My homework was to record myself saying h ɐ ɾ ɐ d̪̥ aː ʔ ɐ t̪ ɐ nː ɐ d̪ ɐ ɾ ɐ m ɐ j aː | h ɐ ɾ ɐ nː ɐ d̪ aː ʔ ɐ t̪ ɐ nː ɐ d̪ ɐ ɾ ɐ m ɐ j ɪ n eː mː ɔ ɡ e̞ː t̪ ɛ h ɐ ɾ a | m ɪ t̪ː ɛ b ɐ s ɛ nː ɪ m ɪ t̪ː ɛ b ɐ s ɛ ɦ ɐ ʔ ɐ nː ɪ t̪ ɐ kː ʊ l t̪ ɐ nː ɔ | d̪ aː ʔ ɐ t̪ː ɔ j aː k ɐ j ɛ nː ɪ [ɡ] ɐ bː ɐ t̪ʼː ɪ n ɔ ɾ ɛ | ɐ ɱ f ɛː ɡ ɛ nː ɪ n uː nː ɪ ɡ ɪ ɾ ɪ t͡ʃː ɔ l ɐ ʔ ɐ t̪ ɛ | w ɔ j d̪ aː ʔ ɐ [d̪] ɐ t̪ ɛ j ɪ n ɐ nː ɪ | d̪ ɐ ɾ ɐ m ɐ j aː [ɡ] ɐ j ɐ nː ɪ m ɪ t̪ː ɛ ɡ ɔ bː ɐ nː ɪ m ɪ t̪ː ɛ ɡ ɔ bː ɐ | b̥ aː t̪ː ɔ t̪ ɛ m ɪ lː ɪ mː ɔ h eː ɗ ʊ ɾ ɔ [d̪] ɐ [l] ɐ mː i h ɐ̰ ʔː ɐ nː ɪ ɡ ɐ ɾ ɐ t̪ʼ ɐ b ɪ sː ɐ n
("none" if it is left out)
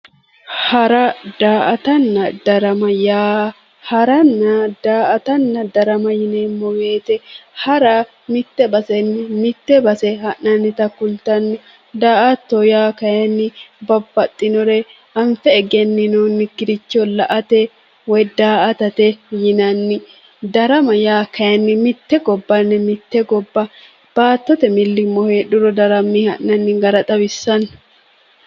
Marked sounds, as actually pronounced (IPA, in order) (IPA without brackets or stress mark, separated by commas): b, t̪, k, d̪, ɾ